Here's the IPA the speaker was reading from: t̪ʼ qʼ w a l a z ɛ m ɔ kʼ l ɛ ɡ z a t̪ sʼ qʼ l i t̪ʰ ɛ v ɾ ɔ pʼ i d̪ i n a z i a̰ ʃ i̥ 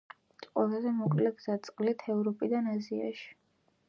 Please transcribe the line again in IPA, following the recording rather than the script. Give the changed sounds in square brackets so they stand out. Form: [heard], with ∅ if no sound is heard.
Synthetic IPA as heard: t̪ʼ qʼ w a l a z ɛ m ɔ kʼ l ɛ ɡ z a t̪ sʼ qʼ l i t̪ʰ ɛ v ɾ ɔ pʼ i d̪ [a] n a z i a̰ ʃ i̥